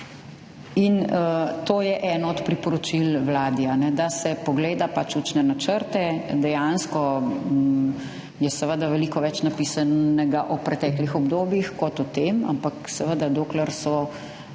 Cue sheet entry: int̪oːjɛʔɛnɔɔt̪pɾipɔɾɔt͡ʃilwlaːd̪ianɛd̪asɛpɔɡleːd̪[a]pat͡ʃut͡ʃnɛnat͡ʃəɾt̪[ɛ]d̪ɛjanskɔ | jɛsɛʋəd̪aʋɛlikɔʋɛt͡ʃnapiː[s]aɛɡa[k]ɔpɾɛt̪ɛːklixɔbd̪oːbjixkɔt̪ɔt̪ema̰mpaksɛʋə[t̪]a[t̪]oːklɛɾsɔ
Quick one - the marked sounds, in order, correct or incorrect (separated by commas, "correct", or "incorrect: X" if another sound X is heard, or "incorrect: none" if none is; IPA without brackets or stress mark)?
correct, correct, correct, incorrect: ʔ, incorrect: d̪, incorrect: d̪